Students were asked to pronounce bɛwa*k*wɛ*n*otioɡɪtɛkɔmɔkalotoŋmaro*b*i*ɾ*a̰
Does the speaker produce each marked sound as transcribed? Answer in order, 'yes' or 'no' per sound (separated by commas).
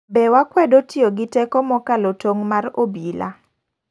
yes, no, yes, no